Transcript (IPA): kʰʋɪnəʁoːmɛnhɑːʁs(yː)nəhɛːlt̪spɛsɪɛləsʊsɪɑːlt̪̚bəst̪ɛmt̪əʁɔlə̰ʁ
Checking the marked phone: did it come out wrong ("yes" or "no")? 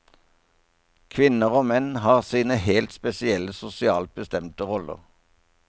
yes